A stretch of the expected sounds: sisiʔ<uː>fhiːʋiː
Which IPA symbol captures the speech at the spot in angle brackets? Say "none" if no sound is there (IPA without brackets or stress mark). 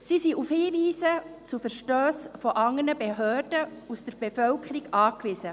u